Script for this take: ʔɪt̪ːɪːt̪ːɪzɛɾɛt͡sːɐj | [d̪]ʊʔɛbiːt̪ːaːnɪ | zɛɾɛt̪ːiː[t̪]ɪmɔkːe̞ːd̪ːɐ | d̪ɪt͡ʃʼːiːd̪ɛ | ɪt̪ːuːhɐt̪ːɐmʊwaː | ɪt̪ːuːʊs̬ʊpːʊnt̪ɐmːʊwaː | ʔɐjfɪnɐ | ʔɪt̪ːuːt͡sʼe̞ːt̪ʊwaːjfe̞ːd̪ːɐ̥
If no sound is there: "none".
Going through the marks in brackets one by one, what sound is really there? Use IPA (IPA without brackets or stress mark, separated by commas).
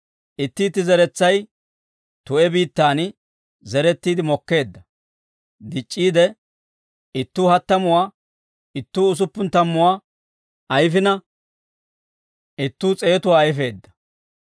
t̪, d̪